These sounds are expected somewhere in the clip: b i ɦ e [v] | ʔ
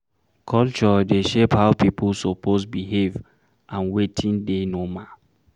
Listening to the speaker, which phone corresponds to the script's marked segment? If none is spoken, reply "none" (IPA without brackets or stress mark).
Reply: v